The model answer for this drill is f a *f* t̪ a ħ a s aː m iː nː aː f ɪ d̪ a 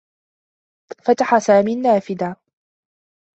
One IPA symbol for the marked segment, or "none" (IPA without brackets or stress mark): none